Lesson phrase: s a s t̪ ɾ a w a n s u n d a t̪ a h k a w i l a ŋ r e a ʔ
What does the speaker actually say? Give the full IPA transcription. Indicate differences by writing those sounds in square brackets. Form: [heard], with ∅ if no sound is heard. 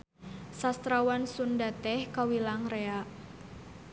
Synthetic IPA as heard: s a s t̪ ɾ a w a n s u n d a t̪ [ɛ] h k a w i l a ŋ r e a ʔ